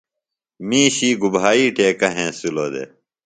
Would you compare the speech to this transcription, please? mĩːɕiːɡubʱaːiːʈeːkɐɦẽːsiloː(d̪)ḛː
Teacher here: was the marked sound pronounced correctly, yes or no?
yes